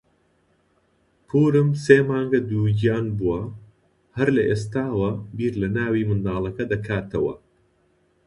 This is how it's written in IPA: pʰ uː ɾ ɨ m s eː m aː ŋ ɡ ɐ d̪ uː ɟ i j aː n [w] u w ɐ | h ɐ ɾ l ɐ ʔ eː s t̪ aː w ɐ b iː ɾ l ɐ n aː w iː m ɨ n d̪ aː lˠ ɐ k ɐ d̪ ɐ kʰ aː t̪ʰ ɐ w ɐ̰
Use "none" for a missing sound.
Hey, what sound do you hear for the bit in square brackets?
b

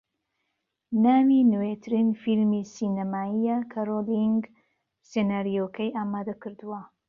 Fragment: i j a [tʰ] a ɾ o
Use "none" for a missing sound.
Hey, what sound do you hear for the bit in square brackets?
kʰ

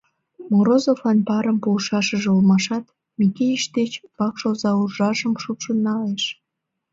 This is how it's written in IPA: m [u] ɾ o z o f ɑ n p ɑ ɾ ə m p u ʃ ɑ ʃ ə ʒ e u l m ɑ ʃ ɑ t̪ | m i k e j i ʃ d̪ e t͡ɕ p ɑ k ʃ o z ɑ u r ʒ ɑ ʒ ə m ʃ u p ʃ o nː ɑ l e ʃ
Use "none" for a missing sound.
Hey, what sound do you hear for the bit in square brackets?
o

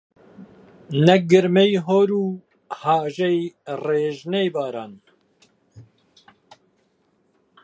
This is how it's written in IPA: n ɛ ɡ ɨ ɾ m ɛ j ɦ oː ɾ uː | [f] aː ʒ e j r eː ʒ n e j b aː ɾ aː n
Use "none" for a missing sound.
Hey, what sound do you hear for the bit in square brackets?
h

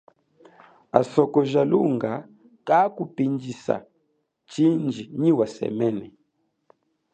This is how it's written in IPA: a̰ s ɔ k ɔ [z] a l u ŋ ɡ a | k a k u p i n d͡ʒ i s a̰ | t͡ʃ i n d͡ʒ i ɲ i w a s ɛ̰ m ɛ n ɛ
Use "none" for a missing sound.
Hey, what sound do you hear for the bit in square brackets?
ʒ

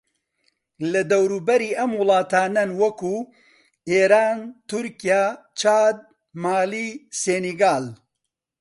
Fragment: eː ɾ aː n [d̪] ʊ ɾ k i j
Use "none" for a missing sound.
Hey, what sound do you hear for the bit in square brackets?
t̪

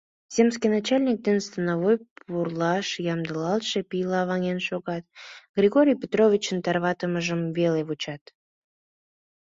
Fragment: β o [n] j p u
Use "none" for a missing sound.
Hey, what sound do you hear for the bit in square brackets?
none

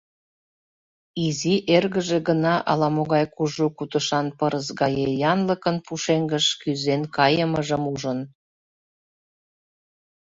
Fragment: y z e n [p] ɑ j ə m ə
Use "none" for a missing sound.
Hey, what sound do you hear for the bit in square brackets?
k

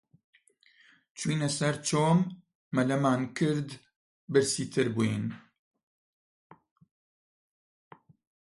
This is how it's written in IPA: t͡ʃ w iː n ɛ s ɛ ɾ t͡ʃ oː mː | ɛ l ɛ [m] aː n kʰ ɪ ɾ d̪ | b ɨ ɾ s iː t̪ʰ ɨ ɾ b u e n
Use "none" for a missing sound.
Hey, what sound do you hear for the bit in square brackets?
m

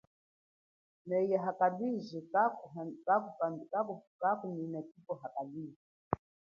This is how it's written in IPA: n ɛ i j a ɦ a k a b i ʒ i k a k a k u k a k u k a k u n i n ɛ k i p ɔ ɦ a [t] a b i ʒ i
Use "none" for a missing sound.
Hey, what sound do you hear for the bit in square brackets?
k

